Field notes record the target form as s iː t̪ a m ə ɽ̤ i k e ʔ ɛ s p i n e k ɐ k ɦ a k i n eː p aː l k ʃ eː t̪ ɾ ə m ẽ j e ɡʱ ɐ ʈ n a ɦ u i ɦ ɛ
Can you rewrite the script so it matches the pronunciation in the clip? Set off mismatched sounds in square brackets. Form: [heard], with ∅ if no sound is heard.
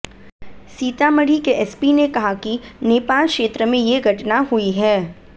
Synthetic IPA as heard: s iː t̪ a m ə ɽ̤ i k e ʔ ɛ s p i n e k ɐ [∅] ɦ a k i n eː p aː l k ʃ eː t̪ ɾ ə m ẽ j e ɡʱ ɐ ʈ n a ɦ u i ɦ [ɛː]